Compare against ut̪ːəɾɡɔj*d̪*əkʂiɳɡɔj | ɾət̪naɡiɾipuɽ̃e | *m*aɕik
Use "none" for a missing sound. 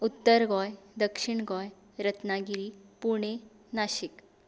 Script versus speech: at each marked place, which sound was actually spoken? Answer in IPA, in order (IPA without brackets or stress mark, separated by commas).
d̪, n